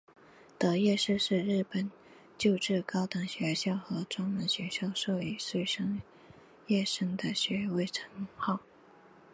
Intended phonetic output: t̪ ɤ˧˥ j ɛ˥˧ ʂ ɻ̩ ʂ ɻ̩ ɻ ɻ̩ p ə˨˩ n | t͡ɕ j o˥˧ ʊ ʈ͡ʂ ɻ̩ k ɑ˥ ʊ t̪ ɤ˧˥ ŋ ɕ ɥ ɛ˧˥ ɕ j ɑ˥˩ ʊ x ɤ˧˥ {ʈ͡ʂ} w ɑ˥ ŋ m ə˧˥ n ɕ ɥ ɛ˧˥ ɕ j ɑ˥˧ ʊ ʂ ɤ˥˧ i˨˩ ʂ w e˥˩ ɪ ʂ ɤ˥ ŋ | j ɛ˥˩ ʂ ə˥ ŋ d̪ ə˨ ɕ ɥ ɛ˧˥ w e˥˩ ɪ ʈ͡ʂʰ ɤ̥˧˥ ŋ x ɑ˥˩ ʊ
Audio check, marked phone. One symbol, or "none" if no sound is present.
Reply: ʈ͡ʂ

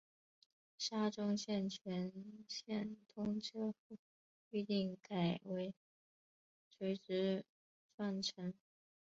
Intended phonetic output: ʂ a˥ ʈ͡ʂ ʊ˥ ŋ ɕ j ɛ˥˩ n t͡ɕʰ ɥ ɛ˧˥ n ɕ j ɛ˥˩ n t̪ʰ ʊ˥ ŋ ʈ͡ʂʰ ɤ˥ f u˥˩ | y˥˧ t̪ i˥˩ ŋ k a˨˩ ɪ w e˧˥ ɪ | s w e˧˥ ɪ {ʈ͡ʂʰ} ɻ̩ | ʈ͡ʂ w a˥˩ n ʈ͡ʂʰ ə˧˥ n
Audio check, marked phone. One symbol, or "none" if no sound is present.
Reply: ʈ͡ʂ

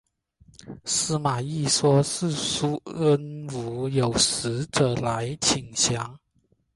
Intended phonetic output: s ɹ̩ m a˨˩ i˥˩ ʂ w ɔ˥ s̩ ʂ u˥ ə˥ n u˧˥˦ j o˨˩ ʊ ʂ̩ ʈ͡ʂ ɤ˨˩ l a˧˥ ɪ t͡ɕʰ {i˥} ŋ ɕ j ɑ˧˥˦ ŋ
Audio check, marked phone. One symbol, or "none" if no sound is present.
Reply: i˨˩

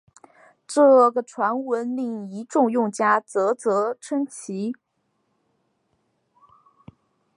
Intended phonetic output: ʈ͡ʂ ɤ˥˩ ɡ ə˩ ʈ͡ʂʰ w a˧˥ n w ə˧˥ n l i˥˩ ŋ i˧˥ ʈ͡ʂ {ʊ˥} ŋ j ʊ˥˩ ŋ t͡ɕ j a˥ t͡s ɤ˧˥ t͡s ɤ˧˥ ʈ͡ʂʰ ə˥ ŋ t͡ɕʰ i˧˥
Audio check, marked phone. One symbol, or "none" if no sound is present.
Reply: ʊ˥˧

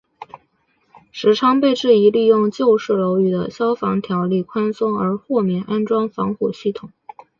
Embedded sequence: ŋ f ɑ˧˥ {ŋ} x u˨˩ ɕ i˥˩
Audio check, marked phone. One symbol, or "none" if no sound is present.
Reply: ŋ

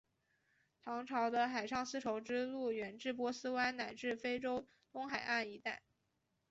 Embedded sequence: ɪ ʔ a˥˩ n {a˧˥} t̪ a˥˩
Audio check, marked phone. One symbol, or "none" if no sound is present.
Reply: i˧˥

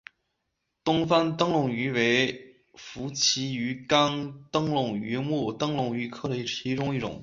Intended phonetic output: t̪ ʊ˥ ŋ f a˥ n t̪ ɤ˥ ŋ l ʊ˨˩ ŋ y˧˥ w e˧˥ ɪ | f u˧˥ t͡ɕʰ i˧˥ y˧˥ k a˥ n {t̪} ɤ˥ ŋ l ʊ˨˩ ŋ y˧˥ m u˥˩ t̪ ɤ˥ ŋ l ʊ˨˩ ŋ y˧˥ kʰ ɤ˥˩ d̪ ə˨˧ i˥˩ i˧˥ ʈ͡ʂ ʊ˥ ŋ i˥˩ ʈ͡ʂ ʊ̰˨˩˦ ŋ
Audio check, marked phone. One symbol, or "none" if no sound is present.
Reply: t̪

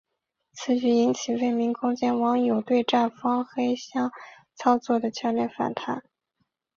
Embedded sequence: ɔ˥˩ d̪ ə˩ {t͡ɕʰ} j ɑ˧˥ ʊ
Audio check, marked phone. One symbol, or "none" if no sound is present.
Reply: t͡ɕʰ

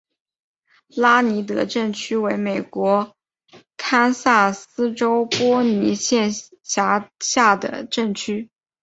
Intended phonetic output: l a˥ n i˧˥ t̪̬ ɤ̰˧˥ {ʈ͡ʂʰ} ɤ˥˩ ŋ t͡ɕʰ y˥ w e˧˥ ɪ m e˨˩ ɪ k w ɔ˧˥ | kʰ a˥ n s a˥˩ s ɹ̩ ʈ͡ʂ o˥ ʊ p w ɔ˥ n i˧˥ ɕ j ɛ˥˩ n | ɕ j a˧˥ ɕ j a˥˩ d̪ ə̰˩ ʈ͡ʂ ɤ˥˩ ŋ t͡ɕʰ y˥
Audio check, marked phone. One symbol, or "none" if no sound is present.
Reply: ʈ͡ʂ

